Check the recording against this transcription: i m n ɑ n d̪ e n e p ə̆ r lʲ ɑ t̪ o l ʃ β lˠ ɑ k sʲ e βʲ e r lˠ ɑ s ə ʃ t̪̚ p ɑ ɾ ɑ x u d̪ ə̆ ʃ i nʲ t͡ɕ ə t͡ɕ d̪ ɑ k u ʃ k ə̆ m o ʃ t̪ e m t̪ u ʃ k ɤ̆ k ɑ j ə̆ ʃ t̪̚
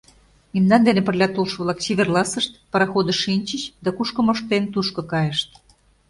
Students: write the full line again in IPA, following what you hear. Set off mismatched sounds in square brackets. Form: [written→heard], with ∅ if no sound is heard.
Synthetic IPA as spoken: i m n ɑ n d̪ e n e p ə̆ r lʲ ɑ t̪ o l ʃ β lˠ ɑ k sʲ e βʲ e r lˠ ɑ s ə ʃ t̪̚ p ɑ ɾ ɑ x [u→o] d̪ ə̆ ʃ i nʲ t͡ɕ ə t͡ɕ d̪ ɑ k u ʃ k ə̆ m o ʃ t̪ e [m→n] t̪ u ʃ k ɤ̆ k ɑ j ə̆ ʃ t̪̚